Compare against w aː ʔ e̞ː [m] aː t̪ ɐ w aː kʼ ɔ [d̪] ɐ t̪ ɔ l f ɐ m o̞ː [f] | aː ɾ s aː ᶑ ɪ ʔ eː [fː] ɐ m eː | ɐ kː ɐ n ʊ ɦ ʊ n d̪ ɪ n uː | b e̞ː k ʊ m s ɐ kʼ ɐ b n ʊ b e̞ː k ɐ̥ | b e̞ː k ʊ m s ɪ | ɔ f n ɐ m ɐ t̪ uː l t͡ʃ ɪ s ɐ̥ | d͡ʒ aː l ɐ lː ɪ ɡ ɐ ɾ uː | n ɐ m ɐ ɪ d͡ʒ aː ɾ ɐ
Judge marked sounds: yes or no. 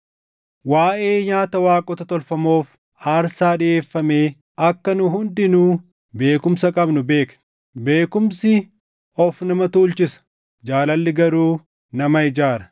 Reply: no, no, yes, yes

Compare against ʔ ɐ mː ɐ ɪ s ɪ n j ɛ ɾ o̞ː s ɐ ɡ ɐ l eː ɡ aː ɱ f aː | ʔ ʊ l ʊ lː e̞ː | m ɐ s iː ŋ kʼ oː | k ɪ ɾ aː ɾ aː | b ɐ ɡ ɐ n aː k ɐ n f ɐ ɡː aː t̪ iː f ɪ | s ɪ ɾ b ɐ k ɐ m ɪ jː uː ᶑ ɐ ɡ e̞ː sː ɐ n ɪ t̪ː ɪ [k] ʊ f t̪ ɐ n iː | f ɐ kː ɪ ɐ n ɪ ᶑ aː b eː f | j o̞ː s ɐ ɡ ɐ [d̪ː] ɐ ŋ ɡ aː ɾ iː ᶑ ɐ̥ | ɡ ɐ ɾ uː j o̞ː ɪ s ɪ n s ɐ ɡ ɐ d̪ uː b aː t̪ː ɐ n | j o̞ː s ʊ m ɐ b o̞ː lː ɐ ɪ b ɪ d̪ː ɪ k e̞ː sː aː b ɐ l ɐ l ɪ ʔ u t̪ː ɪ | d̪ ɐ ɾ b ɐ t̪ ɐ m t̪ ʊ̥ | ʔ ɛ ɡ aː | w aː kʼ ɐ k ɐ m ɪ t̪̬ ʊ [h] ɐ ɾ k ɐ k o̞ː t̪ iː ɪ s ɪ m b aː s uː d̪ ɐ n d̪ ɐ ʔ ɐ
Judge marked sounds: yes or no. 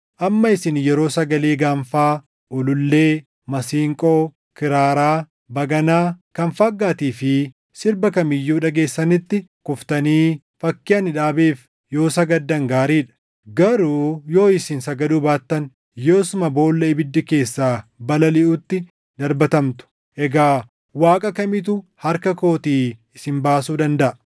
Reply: yes, yes, yes

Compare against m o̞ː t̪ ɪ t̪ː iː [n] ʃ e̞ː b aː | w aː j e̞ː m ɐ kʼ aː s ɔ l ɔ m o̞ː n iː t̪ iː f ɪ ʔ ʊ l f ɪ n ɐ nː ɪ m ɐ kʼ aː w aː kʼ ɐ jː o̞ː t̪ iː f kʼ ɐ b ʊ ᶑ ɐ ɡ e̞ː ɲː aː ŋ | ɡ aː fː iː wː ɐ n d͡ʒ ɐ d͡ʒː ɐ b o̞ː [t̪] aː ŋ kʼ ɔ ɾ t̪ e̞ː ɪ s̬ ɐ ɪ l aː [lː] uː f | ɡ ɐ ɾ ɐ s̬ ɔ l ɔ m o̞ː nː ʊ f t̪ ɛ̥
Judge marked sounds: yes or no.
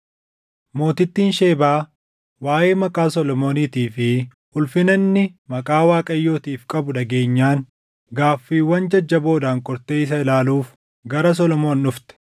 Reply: yes, no, no

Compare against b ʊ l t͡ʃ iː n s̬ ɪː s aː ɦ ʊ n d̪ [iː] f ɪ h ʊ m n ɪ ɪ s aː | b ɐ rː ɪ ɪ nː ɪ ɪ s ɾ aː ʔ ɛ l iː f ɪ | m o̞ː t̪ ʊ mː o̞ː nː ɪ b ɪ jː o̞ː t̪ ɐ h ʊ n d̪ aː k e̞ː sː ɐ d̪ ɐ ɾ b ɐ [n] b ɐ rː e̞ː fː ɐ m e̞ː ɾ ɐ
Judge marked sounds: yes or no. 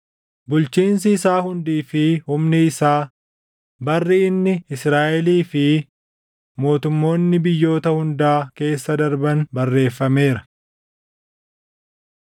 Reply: yes, yes

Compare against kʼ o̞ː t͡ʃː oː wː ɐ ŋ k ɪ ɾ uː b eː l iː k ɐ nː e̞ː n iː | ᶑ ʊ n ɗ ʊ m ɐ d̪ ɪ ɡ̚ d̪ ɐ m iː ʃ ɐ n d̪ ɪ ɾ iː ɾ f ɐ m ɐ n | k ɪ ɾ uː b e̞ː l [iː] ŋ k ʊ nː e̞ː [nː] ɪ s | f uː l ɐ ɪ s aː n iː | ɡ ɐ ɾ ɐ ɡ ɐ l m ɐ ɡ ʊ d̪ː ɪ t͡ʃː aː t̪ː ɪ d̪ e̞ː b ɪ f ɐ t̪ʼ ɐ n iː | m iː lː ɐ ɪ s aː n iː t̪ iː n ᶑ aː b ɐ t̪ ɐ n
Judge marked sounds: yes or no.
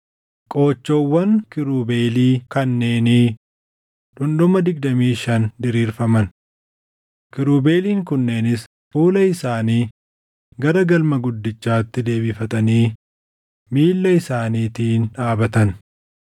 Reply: yes, no

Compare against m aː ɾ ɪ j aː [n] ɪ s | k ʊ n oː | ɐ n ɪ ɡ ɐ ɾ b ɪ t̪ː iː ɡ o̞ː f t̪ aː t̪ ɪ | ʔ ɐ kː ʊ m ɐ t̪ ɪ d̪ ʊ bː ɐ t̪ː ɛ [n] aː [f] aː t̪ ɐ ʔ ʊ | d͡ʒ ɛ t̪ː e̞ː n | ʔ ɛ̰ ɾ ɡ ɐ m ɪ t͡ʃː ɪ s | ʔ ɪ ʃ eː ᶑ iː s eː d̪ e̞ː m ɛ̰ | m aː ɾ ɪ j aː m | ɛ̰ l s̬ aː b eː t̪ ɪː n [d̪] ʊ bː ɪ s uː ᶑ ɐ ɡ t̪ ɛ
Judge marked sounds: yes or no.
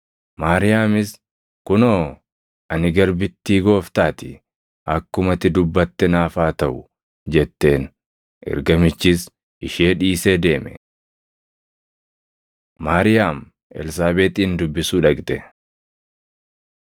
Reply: no, yes, yes, yes

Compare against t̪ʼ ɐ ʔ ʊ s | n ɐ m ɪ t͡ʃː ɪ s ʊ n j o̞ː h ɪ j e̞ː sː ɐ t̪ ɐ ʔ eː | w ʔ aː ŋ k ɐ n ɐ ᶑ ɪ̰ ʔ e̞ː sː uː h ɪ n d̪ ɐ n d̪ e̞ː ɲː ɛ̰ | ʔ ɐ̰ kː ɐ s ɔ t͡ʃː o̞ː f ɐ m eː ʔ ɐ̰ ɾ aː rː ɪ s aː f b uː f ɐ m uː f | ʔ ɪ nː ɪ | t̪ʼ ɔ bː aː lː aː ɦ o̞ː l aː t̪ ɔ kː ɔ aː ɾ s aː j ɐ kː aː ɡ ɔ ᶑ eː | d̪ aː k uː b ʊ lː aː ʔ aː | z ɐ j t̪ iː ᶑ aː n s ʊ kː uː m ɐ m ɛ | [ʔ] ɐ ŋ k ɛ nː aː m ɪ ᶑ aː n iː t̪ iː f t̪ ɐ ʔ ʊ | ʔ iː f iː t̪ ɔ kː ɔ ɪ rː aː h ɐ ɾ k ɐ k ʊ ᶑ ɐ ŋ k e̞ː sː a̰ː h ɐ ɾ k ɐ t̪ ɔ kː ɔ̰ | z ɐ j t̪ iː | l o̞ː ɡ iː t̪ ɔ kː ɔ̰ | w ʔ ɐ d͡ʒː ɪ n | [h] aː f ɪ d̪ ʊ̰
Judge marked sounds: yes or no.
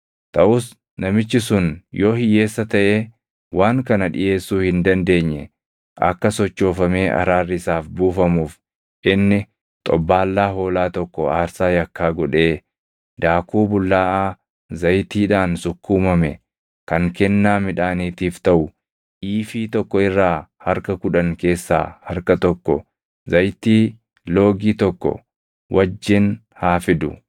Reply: no, yes

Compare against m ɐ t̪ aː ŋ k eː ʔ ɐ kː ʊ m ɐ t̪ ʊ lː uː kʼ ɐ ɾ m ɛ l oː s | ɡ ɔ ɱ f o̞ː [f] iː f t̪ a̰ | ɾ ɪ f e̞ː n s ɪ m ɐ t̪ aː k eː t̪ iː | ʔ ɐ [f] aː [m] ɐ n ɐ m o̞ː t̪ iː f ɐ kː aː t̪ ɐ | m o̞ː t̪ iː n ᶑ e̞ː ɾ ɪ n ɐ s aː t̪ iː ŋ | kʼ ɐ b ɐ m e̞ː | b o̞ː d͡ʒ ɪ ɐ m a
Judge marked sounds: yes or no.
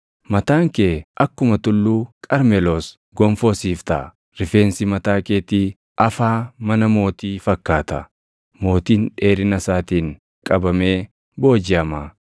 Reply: no, yes, yes

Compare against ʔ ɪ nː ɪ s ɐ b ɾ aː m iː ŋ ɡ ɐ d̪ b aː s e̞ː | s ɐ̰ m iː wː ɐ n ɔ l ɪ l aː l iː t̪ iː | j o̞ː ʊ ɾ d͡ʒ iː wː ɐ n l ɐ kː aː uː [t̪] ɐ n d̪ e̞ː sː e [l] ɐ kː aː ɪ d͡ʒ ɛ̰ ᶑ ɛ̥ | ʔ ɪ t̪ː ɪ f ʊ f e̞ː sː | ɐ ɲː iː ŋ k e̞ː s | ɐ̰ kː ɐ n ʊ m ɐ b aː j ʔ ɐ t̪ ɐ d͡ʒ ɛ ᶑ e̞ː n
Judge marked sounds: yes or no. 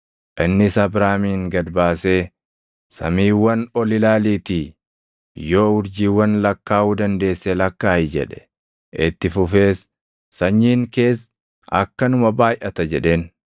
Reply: no, yes

